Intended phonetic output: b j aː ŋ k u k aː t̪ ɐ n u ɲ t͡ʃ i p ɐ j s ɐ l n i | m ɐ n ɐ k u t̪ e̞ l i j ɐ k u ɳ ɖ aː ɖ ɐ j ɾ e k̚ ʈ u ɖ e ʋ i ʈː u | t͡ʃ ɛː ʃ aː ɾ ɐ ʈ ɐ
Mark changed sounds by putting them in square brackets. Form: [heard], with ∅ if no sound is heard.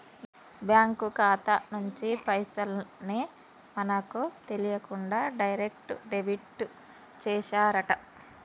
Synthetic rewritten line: b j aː ŋ k u k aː t̪ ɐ n u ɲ t͡ʃ i p ɐ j s ɐ l n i | m ɐ n ɐ k u t̪ e̞ l i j ɐ k u ɳ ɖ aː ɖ ɐ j ɾ e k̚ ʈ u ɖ e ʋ i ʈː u | t͡ʃ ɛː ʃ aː ɾ ɐ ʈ ɐ